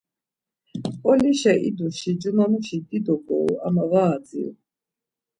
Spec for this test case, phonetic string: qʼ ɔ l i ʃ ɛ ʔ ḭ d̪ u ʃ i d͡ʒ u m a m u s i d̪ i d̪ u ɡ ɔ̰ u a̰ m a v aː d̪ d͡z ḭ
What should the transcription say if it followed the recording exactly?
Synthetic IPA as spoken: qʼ ɔ l i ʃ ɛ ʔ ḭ d̪ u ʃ i d͡ʒ u m a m u ʃ i d̪ i d̪ ɔ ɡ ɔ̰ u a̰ m a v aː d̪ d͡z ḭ